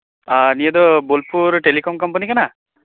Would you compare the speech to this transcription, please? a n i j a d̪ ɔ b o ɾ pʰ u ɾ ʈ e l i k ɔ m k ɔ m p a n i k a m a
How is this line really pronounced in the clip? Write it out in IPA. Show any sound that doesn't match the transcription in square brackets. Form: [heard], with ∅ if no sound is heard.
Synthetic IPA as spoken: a n i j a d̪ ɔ b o [l] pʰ u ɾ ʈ e l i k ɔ m k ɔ m p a n i k a [n] a

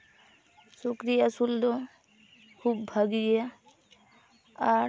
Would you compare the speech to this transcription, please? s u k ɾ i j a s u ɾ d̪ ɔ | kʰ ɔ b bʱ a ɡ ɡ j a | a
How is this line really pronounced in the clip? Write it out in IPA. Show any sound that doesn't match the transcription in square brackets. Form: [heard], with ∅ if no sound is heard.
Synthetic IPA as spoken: s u k ɾ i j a s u [l] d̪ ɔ | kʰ [u] b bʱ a ɡ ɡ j a | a

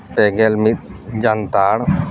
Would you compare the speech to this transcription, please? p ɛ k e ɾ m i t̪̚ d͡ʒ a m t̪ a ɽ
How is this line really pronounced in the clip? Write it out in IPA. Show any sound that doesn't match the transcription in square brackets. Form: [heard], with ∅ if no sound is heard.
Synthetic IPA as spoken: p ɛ [ɡ] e [l] m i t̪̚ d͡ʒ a [n] t̪ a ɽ

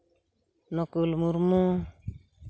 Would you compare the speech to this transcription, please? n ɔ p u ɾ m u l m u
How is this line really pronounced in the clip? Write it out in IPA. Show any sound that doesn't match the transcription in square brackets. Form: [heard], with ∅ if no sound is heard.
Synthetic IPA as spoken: n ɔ [k] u [l] m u [ɾ] m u

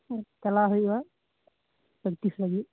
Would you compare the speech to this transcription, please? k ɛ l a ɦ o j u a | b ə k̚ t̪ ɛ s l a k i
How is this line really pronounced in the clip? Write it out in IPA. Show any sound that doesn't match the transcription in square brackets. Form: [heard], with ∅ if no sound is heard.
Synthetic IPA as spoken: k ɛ l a ɦ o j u a | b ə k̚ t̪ [i] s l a [ɡ] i

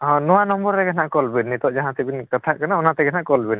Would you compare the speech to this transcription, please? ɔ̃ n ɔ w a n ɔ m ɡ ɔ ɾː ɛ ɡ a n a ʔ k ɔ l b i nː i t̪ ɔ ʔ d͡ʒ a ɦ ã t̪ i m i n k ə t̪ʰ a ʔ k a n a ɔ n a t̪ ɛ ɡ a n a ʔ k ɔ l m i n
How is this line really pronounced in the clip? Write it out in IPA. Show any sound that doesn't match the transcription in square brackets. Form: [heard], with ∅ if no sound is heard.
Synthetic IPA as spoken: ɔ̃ n ɔ w a n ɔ m [b] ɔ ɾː ɛ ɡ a n a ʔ k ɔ l b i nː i t̪ ɔ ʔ d͡ʒ a ɦ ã t̪ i [b] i n k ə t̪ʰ a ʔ k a n a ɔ n a t̪ ɛ ɡ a n a ʔ k ɔ l [b] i n

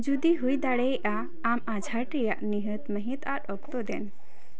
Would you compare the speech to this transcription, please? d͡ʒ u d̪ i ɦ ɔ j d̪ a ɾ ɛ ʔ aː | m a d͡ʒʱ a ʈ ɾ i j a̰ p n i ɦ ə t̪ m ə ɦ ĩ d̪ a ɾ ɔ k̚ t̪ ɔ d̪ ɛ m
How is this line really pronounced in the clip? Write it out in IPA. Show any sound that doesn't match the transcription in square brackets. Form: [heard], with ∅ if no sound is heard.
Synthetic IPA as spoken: d͡ʒ u d̪ i ɦ [u] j d̪ a [ɽ] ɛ ʔ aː | m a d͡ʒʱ a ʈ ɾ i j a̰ [ʔ] n i ɦ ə t̪ m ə ɦ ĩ [t̪] a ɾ ɔ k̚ t̪ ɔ d̪ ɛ [n]

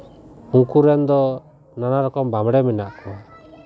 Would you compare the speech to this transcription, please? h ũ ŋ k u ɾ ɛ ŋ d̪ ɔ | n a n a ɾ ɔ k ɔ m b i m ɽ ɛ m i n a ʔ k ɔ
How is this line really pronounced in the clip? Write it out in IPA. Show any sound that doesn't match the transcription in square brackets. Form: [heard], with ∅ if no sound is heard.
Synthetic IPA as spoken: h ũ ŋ k u ɾ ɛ [n] d̪ ɔ | n a n a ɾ ɔ k ɔ m b [a] m ɽ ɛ m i n a ʔ k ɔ

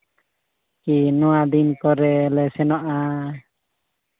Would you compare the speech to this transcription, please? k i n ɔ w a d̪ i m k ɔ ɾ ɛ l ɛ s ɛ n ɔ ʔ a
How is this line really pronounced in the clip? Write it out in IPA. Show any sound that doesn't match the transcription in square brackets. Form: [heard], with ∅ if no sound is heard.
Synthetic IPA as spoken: k i n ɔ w a d̪ i [n] k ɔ ɾ ɛ l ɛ s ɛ n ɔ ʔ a

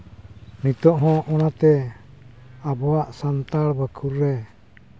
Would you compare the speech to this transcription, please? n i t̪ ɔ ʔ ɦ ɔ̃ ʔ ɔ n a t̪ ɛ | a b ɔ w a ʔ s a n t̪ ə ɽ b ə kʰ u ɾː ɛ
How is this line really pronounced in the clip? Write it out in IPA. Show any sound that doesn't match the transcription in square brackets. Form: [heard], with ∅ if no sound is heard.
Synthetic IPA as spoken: n i t̪ ɔ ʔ ɦ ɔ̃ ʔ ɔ n a t̪ ɛ | a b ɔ w a ʔ s a n t̪ [a] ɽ b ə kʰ u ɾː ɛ

